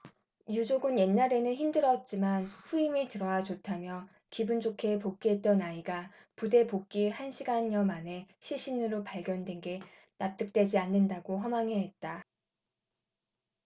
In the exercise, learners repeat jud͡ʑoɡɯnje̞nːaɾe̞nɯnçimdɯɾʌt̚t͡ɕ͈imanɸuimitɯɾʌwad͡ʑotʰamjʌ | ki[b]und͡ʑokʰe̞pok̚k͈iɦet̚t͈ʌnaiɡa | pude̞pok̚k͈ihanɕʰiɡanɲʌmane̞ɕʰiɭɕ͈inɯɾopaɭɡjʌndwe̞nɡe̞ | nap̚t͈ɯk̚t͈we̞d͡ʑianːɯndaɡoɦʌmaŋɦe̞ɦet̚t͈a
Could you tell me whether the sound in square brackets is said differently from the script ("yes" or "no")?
no